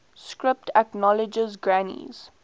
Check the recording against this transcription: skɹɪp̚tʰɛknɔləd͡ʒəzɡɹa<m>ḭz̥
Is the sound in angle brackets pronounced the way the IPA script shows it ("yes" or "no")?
no